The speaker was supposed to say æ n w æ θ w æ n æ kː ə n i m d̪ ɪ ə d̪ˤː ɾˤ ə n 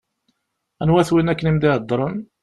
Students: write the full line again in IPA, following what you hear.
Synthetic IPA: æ n w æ θ w i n æ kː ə n i m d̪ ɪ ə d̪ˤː ɾˤ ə n

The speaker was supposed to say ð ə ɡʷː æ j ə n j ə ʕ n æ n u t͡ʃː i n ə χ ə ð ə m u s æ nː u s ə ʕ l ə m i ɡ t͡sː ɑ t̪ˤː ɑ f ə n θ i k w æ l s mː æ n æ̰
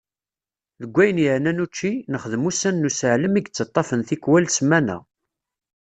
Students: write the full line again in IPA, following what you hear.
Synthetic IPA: ð ə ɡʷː æ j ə n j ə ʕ n æ n u t͡ʃː i n ə χ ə ð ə m u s æ nː u s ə ʕ l ə m i ɡ t͡sː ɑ t̪ˤː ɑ f ə n θ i k w æ l s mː æ n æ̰

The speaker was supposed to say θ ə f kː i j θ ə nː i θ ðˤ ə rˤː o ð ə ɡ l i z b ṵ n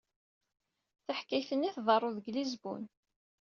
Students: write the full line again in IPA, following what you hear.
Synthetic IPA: θ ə ħ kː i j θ ə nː i θ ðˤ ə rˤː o ð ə ɡ l i z b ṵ n

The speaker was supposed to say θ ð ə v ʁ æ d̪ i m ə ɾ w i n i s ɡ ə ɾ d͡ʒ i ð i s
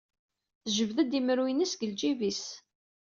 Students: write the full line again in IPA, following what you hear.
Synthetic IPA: θ ʒ ə v ð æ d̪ i m ə ɾ w i n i s ɡ ə l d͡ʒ i v i s

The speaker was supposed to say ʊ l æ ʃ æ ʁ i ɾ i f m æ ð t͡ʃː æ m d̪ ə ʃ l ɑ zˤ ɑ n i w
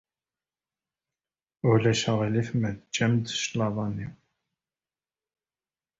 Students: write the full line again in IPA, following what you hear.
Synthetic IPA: ʊ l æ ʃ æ ʁ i l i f m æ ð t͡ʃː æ m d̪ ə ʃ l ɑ ðˤ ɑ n i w

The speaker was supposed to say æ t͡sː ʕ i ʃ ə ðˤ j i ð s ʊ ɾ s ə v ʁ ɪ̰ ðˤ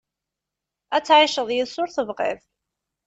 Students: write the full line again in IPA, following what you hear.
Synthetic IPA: æ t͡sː ʕ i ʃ ə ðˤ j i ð s ʊ ɾ θ ə v ʁ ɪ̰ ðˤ

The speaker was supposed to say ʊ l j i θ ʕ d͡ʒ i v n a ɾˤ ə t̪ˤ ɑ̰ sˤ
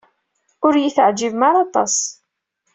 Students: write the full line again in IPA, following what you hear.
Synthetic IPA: ʊ ɾ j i θ ʕ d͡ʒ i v m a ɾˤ ɑ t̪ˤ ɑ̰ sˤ

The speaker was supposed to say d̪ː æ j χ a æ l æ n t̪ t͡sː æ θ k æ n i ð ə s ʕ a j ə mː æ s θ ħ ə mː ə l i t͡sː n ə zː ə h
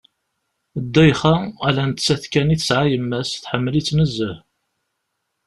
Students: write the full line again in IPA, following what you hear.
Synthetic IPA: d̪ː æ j χ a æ l æ n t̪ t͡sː æ θ k æ n i θ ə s ʕ a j ə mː æ s θ ħ ə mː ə l i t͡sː n ə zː ə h

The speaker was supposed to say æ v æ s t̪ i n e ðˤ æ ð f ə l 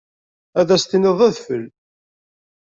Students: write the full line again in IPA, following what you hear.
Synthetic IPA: æ ð æ s t̪ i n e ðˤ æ ð f ə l

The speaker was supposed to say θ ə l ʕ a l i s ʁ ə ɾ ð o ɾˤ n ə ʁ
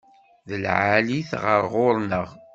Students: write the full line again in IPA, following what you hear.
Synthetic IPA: ð ə l ʕ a l i θ ʁ ə ɾ ʁ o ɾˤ n ə ʁ

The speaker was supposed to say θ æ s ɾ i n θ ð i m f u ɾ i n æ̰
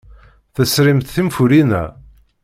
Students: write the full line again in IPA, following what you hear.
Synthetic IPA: θ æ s ɾ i m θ θ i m f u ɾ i n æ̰

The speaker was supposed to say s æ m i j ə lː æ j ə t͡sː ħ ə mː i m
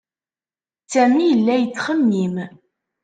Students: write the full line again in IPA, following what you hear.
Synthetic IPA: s æ m i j ə lː æ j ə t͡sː χ ə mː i m

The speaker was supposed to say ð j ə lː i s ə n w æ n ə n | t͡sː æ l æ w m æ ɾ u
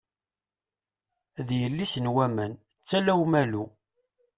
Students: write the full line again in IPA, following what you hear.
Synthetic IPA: ð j ə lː i s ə n w æ m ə n | t͡sː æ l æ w m æ l u

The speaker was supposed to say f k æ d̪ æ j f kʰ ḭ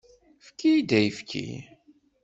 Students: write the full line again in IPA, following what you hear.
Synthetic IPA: f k i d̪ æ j f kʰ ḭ

